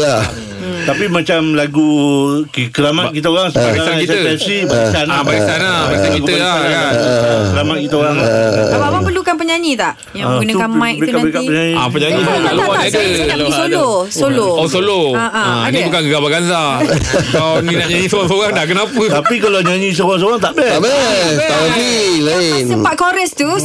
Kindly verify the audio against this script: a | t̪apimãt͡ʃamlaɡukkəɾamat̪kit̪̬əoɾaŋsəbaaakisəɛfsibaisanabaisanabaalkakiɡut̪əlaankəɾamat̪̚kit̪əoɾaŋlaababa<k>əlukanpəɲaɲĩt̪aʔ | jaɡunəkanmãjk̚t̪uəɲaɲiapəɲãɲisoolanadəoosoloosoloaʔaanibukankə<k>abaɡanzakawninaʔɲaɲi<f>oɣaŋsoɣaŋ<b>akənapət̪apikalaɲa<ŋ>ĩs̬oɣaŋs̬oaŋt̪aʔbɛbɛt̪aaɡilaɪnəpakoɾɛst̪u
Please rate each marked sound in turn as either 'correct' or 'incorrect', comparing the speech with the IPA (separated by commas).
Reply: incorrect, incorrect, incorrect, incorrect, incorrect